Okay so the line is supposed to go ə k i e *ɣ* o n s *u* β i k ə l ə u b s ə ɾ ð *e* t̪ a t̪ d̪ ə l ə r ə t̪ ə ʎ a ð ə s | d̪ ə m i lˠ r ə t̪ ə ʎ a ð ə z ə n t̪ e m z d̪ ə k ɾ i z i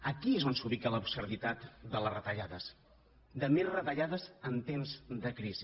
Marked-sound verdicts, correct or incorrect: incorrect: z, correct, incorrect: i

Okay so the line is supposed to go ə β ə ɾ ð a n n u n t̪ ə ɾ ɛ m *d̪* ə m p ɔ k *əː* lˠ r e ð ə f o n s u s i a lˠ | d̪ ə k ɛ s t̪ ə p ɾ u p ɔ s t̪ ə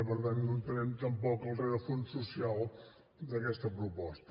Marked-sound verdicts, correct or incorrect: incorrect: t̪, incorrect: ə

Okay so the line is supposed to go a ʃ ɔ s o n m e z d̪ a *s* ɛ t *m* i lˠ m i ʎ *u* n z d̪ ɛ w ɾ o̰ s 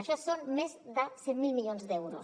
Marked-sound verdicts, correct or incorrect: correct, correct, incorrect: o

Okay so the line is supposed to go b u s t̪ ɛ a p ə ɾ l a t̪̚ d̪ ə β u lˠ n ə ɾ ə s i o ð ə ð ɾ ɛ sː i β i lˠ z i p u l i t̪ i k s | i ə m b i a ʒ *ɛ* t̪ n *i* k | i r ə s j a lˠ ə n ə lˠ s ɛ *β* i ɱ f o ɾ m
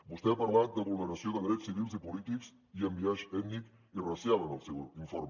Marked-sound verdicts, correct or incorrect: correct, correct, incorrect: w

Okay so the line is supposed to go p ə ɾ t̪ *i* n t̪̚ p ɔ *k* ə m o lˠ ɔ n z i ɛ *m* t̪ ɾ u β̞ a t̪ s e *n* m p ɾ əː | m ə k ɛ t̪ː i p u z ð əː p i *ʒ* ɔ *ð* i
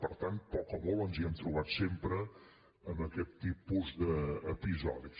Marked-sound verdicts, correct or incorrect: incorrect: a, correct, correct, incorrect: none, incorrect: z, correct

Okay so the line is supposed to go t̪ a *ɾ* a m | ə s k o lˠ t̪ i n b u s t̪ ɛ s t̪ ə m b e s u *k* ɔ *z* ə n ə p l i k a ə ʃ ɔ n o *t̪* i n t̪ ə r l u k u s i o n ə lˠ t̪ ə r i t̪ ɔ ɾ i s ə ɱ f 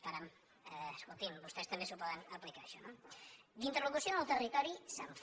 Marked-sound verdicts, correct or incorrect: correct, incorrect: p, incorrect: ð, incorrect: d̪

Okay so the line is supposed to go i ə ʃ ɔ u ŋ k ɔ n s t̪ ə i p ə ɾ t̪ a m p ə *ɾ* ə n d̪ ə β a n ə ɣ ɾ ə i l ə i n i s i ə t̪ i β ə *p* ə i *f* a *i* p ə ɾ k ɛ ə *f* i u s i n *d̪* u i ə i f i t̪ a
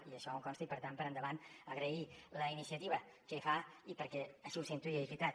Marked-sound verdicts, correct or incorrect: correct, incorrect: k, correct, correct, incorrect: ʃ, incorrect: t̪

